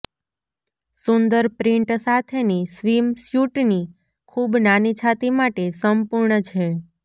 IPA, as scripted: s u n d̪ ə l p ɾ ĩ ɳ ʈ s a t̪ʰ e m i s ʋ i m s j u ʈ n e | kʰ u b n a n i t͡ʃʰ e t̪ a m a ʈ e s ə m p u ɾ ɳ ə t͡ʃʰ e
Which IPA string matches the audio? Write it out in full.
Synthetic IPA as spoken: s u n d̪ ə ɾ p ɾ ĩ ɳ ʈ s a t̪ʰ e n i s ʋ i m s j u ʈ n i | kʰ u b n a n i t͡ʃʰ a t̪ i m a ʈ e s ə m p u ɾ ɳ ə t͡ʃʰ e